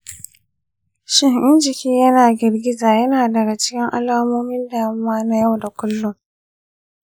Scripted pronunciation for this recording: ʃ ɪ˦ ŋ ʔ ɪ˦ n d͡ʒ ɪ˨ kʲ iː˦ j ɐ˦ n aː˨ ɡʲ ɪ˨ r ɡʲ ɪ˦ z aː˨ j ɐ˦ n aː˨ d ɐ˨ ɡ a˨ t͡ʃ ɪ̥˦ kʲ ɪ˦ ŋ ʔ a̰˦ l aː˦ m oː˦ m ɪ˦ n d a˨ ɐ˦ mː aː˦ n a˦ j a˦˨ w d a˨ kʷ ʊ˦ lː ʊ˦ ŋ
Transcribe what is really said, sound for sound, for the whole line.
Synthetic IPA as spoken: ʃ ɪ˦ ŋ ʔ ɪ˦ n d͡ʒ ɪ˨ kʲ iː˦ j ɐ˦ n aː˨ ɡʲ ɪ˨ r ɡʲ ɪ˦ z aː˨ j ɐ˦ n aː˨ d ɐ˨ ɡ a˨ t͡ʃ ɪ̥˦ kʲ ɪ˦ ŋ ʔ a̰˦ l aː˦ m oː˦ m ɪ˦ n d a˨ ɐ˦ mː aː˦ n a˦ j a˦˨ w d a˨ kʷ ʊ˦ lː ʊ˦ ŋ